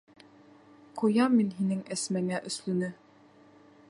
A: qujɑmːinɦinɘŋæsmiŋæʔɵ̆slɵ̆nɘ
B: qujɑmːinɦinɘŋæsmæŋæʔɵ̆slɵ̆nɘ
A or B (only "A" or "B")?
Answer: B